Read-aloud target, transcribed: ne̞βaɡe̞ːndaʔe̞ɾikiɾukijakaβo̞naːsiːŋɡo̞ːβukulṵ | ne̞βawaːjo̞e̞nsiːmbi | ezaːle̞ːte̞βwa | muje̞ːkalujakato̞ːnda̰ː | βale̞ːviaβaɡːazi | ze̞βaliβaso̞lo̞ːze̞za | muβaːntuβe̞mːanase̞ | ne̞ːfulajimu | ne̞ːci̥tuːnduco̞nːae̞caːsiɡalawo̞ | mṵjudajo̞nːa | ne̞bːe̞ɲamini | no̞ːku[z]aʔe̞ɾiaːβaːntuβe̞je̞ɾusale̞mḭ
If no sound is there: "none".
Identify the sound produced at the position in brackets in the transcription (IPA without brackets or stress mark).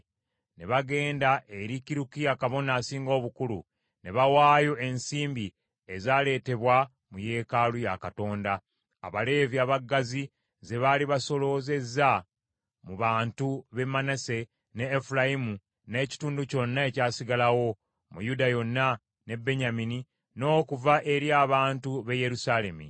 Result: v